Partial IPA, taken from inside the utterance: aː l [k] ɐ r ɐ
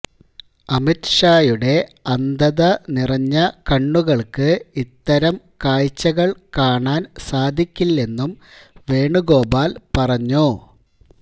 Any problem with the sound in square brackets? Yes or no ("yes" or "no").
yes